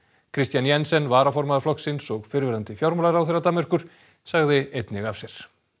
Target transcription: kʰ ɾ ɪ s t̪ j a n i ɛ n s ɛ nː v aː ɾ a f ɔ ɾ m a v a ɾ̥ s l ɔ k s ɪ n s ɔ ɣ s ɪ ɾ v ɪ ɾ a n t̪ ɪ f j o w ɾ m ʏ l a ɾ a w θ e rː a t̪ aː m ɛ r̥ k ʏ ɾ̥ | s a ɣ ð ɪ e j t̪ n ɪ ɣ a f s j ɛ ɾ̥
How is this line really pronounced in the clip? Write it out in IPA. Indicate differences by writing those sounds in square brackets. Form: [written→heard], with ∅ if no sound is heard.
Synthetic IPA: kʰ ɾ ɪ s t̪ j a n [i→j] ɛ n s ɛ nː v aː ɾ a f ɔ ɾ m a [v→ð] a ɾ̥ [s→f] l ɔ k s ɪ n s ɔ ɣ [s→f] ɪ ɾ v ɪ ɾ a n t̪ ɪ f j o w ɾ m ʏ l a ɾ a w θ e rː a t̪ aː m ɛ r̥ k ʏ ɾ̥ | s a ɣ ð ɪ e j t̪ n ɪ ɣ a f s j ɛ ɾ̥